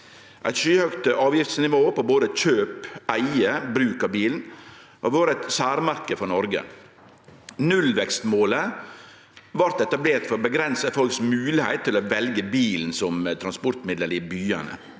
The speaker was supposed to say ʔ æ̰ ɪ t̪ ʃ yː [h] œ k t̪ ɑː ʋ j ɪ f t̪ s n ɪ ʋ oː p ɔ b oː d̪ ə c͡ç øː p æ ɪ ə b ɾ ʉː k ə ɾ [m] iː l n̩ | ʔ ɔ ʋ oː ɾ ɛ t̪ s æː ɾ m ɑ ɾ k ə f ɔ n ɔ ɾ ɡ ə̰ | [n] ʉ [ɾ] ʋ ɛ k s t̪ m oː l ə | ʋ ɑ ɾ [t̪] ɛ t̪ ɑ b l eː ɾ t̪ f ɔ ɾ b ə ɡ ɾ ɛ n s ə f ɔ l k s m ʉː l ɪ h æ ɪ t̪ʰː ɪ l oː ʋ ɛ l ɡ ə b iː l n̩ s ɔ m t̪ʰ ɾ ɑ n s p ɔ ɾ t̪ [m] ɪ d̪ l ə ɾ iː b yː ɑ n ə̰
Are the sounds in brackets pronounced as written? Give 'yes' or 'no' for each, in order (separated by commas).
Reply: yes, no, yes, no, yes, yes